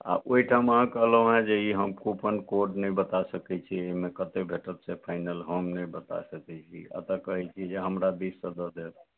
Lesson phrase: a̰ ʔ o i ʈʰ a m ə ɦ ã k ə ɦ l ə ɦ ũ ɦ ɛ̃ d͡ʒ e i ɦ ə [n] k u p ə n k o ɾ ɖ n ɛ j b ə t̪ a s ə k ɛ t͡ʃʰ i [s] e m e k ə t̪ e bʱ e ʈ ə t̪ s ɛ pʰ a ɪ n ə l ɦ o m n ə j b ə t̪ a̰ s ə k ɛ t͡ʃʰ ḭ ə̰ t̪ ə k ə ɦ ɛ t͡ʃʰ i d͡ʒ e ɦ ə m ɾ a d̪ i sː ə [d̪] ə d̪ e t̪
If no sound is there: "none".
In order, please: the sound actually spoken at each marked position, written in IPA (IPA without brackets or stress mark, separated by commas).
m, none, d̪